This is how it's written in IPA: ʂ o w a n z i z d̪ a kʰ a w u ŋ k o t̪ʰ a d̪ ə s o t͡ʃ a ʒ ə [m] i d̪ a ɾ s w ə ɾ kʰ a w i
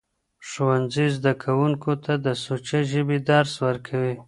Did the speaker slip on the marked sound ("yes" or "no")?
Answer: yes